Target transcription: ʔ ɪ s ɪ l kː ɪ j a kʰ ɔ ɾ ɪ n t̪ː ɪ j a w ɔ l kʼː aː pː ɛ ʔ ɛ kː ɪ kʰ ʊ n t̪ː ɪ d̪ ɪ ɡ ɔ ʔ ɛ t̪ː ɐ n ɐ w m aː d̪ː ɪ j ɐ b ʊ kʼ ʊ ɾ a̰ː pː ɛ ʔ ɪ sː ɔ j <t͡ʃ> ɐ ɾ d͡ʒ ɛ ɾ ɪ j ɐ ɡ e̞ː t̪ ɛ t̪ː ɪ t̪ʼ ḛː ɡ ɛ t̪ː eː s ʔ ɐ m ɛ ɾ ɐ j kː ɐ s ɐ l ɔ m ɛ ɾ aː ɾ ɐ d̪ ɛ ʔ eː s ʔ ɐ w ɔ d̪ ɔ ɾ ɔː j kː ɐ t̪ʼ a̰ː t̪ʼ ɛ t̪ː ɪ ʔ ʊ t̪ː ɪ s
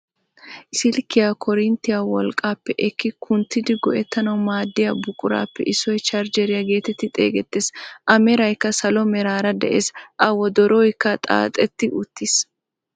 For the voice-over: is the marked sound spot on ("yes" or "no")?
yes